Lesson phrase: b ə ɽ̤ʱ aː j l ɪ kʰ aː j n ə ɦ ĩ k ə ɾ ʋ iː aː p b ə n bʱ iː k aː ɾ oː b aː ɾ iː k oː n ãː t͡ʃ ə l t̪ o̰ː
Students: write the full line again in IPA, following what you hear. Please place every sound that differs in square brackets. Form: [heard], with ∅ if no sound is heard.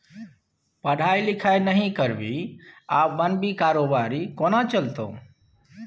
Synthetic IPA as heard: [p] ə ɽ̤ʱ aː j l ɪ kʰ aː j n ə ɦ ĩ k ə ɾ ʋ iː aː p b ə n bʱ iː k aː ɾ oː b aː ɾ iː k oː n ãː t͡ʃ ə l t̪ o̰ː